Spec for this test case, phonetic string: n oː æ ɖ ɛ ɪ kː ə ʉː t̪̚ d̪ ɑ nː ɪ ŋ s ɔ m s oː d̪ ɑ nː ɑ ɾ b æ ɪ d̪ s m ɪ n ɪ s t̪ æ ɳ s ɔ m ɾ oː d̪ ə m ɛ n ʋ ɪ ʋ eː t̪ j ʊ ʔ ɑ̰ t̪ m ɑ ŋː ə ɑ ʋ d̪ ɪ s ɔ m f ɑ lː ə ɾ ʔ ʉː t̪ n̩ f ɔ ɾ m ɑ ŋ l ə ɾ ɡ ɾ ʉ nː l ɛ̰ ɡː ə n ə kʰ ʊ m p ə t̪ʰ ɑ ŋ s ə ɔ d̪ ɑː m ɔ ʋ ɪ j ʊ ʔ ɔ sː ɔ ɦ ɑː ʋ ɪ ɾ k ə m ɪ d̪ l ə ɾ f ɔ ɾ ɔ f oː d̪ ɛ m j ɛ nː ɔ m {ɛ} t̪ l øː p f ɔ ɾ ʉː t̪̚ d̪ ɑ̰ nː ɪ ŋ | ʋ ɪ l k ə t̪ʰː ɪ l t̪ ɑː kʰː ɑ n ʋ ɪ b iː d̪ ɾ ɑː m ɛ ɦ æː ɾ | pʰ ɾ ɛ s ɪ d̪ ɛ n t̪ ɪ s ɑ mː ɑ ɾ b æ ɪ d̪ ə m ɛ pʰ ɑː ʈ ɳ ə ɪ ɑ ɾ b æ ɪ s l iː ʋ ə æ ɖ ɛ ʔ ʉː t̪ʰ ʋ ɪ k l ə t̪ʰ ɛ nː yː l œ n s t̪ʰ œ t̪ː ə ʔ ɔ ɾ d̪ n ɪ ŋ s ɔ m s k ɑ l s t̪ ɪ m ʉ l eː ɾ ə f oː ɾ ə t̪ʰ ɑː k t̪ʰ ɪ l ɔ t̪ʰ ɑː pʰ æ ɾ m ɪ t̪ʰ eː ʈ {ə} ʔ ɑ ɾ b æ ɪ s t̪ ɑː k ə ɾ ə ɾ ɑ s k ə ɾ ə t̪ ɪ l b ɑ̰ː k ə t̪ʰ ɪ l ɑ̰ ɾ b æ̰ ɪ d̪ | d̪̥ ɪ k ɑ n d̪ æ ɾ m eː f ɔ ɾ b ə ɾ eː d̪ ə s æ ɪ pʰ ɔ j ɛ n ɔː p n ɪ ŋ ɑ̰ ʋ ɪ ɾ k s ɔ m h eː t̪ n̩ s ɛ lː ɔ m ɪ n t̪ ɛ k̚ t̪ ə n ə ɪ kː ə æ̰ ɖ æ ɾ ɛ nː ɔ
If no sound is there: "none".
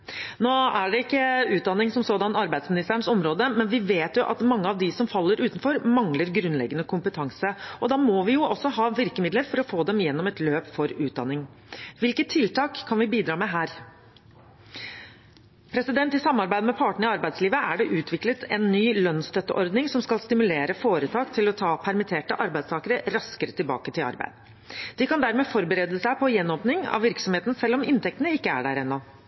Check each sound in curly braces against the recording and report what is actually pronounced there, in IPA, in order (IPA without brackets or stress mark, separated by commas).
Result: ɛ, ə